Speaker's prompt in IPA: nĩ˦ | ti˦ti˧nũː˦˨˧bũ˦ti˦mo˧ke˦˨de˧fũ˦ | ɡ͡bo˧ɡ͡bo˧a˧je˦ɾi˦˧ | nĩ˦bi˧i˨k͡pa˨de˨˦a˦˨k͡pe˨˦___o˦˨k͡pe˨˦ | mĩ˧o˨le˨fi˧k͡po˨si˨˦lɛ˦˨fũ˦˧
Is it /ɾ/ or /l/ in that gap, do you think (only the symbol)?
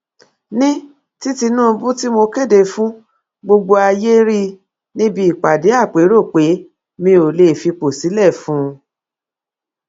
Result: ɾ